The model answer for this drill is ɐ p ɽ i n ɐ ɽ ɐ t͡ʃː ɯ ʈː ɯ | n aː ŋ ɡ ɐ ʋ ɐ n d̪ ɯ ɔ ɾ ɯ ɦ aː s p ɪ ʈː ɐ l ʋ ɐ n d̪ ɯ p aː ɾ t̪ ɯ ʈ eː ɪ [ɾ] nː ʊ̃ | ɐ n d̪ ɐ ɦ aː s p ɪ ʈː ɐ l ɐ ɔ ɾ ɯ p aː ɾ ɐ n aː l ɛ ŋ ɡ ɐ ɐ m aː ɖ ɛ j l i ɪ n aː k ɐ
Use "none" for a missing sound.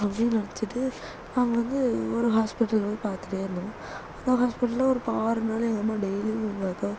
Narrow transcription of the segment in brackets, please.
ɾ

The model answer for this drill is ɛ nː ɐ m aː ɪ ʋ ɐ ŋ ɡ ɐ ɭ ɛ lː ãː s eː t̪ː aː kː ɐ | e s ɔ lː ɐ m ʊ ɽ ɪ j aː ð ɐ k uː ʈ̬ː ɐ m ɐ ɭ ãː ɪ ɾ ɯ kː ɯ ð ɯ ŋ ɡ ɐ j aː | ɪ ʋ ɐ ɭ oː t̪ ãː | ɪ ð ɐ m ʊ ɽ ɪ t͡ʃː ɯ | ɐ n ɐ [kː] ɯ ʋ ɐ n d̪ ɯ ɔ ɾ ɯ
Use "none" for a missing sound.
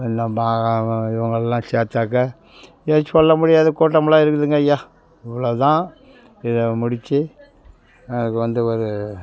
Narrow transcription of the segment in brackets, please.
kː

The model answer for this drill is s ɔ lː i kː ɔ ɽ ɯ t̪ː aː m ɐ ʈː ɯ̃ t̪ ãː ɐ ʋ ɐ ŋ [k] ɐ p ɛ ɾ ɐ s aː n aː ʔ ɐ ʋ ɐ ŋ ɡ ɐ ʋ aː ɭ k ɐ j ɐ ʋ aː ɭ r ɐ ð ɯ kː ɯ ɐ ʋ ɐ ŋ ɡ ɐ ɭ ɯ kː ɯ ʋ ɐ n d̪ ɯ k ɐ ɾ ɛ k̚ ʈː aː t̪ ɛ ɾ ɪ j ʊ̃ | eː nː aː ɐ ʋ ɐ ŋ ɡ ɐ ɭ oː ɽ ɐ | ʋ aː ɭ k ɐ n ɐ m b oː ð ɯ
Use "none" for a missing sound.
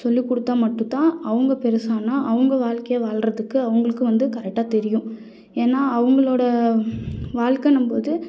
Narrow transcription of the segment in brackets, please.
ɡ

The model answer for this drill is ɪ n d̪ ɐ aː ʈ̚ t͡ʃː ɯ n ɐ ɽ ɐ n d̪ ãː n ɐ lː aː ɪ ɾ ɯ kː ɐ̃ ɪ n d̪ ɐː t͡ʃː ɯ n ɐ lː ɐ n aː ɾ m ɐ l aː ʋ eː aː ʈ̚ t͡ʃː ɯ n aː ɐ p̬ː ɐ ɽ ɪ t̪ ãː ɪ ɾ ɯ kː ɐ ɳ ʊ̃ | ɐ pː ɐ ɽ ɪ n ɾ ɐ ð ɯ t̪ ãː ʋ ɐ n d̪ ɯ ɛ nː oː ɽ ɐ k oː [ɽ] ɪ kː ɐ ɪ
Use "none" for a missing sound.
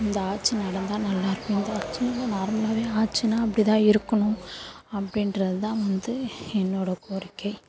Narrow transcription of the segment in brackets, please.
ɾ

